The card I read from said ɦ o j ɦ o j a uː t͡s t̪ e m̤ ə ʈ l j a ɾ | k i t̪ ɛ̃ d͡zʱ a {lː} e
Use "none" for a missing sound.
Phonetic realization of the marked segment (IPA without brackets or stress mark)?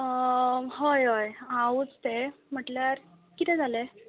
l